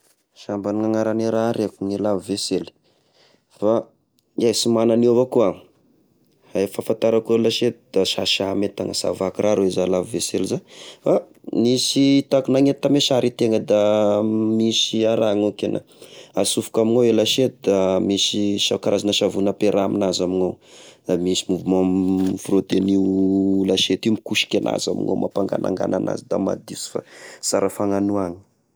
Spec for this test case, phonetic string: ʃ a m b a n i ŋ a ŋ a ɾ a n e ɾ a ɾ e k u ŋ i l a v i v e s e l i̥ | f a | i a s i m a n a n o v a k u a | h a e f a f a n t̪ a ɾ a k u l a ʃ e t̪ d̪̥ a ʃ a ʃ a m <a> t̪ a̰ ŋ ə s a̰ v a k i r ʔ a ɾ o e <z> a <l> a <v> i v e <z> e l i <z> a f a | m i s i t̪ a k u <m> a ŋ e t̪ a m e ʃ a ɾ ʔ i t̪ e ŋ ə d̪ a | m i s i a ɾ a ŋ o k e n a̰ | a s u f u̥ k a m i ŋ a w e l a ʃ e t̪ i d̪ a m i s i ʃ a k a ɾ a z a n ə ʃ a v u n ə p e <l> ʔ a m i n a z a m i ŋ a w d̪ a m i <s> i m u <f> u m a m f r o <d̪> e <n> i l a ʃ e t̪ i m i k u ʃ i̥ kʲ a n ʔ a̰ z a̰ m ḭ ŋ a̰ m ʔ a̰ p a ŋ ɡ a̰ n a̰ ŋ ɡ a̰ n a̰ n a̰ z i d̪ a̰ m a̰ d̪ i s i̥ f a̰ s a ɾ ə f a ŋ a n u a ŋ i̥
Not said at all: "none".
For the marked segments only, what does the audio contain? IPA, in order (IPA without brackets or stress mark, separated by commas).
e, z, l, v, s, z, n, ɾ, s, v, t̪, n